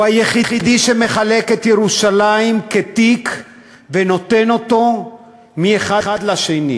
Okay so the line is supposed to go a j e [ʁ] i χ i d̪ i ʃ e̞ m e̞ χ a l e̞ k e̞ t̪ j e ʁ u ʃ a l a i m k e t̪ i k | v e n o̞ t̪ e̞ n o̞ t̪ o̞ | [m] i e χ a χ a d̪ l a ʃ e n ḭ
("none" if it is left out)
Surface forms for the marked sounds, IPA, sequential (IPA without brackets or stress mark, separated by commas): χ, m